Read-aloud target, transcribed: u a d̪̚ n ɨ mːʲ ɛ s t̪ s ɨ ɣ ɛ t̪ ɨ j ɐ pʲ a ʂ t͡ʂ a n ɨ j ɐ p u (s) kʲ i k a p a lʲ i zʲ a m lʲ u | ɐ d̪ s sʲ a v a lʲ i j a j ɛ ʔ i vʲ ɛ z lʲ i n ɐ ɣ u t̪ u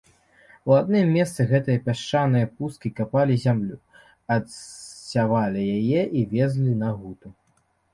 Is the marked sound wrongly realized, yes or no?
no